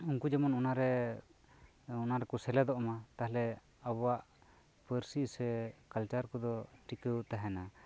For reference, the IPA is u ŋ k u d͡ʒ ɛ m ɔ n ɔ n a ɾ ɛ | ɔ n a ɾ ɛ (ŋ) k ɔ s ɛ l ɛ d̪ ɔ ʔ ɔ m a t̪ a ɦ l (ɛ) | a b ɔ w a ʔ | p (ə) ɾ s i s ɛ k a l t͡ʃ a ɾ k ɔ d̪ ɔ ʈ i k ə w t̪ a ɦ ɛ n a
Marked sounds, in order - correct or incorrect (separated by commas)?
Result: incorrect, correct, correct